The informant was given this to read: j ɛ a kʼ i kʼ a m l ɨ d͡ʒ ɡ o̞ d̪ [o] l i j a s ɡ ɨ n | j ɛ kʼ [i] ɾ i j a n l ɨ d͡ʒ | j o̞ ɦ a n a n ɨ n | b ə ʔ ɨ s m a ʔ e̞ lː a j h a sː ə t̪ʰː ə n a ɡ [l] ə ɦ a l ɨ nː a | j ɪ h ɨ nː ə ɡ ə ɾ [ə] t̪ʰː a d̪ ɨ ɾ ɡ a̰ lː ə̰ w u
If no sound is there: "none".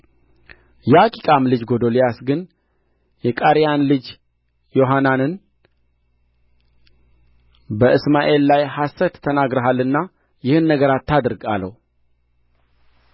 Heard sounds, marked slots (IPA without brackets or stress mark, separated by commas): o, a, ɾ, a